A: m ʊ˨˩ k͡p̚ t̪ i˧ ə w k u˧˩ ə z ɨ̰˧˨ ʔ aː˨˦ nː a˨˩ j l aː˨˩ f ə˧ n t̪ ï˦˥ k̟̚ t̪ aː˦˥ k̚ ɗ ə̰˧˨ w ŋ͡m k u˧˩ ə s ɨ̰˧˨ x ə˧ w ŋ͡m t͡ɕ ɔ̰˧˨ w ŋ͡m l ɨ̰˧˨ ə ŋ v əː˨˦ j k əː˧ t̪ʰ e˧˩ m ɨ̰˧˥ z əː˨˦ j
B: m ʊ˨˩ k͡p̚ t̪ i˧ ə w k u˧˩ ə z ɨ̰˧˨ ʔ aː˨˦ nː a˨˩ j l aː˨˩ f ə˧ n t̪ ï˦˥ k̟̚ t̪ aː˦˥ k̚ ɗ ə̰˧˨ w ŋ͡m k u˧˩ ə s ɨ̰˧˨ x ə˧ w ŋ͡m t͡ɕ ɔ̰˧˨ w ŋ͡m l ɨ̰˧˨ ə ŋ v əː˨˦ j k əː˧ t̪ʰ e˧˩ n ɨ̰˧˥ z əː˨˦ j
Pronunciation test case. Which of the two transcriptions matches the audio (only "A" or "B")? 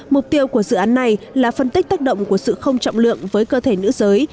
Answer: B